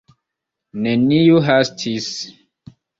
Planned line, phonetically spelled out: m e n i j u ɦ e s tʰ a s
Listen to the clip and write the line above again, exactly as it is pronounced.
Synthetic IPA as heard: n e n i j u ɦ a s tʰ i s